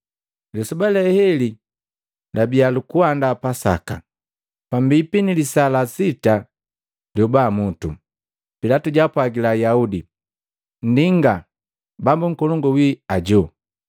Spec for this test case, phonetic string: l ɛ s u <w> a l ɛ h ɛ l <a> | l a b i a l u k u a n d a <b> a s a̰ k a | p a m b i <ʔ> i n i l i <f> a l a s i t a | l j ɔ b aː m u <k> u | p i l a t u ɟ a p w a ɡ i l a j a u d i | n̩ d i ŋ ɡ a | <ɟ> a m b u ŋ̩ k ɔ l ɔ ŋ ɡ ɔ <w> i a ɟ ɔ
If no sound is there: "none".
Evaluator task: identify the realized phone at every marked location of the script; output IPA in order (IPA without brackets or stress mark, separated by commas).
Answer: b, i, p, p, s, t, b, w